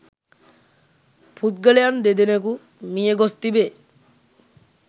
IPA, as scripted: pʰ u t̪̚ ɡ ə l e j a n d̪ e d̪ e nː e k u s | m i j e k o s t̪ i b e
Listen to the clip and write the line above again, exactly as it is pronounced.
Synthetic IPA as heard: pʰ u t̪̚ ɡ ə l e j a n d̪ e d̪ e n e k u | m i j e ɡ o s t̪ i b e